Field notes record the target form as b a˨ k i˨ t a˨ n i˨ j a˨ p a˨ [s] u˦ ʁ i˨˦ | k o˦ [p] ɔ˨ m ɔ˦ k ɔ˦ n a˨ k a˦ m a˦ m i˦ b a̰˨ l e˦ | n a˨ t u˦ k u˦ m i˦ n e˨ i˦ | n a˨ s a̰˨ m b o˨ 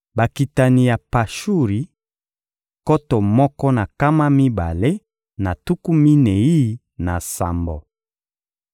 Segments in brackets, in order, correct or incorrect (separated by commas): incorrect, incorrect